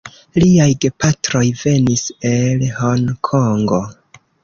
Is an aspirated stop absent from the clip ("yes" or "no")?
no